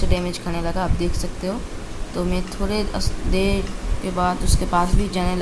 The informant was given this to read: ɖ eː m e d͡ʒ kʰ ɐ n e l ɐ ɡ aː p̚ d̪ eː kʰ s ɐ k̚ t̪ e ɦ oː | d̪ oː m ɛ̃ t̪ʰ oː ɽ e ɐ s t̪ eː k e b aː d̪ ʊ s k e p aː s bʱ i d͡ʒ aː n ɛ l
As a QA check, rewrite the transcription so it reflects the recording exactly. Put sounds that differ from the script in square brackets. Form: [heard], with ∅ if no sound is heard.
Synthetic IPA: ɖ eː m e d͡ʒ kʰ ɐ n e l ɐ ɡ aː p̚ d̪ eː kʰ s ɐ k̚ t̪ e ɦ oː | [t̪] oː m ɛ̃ t̪ʰ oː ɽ e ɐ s [d̪] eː k e b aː d̪ ʊ s k e p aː s bʱ i d͡ʒ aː n [e] l